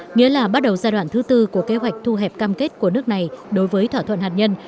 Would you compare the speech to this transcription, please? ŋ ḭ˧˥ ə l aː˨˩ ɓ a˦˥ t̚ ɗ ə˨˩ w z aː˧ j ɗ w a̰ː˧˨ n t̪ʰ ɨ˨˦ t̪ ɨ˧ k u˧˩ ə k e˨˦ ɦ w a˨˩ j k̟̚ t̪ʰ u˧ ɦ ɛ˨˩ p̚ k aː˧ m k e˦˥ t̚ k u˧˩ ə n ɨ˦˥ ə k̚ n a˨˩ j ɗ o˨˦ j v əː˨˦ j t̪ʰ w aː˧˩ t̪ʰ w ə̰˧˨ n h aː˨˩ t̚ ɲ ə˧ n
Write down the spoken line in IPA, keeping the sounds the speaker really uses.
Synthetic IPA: ŋ ḭ˧˥ ə l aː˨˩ ɓ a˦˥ t̚ ɗ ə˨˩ w z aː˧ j ɗ w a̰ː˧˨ n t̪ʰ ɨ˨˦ t̪ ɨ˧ k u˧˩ ə k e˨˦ ɦ w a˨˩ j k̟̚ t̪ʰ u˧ ɦ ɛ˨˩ p̚ k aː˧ m k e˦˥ t̚ k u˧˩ ə n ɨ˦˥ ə k̚ n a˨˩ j ɗ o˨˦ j v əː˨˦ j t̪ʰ w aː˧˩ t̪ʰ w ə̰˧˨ n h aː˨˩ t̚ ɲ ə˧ n